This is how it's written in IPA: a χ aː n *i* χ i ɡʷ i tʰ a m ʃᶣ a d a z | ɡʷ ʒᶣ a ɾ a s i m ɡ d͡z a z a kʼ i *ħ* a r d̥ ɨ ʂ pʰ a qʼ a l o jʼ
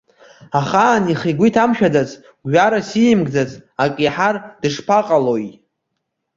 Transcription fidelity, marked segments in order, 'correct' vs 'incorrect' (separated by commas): correct, correct